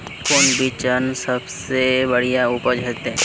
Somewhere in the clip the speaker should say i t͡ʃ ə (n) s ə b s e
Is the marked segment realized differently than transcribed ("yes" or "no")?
no